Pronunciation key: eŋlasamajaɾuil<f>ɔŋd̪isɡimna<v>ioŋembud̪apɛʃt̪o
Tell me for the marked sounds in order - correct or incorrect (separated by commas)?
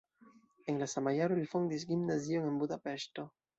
correct, incorrect